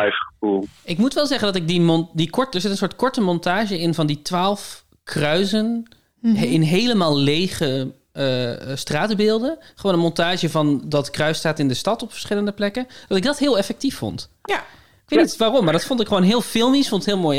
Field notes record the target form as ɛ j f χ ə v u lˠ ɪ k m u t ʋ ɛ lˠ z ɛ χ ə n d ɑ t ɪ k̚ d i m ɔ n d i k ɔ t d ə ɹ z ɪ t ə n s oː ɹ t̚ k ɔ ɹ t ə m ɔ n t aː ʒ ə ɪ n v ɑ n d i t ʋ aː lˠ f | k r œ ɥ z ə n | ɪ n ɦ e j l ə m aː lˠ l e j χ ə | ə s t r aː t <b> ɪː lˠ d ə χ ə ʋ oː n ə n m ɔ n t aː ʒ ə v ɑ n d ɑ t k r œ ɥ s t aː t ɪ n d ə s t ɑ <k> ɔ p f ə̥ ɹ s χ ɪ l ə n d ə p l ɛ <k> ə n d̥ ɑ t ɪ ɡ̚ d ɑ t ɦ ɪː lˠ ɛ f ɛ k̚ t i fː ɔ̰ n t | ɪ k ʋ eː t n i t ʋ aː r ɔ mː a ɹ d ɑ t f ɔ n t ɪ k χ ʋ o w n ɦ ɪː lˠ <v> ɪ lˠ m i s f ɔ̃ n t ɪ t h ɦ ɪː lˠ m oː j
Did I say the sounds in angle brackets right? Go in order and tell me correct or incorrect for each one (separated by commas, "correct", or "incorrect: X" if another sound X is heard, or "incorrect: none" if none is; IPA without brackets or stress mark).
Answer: correct, incorrect: t, correct, incorrect: f